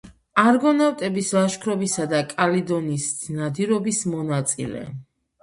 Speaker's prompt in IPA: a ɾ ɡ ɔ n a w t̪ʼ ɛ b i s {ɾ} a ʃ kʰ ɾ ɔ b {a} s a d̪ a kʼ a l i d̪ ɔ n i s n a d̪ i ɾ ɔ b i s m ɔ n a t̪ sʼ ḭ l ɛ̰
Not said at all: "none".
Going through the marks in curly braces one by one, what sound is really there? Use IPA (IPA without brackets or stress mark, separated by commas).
l, i